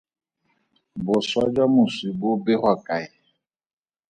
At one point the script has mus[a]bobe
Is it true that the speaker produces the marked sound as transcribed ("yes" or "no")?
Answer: no